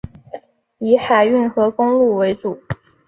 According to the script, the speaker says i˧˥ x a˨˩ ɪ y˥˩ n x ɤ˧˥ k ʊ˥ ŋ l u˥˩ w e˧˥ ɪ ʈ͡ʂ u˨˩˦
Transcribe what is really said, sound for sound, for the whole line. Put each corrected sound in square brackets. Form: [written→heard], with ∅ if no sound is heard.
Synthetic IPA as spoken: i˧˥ x a˨˩ ɪ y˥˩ n x ɤ˧˥ k ʊ˥ ŋ l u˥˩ w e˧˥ ɪ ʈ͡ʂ u˨˩˦